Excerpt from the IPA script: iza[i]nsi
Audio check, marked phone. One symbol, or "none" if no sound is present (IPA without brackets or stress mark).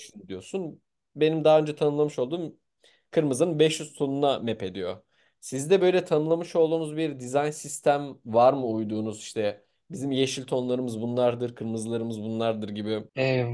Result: j